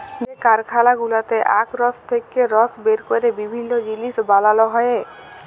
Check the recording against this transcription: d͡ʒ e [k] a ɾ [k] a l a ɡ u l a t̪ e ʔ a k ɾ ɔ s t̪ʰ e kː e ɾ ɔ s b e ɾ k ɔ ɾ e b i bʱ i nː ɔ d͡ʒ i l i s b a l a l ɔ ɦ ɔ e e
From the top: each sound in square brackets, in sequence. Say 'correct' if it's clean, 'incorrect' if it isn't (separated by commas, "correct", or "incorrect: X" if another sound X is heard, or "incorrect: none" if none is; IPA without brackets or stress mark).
correct, incorrect: kʰ